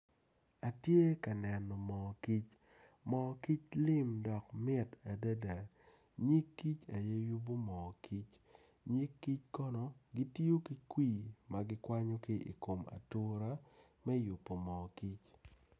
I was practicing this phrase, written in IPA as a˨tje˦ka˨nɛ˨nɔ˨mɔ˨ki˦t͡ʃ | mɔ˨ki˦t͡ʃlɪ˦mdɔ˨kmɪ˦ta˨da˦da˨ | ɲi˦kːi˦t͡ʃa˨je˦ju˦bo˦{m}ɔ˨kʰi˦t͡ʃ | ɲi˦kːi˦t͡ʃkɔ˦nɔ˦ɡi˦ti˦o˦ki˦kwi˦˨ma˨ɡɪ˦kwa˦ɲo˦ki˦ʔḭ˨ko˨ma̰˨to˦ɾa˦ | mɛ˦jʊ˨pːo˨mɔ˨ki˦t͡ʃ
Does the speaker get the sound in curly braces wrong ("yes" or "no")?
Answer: no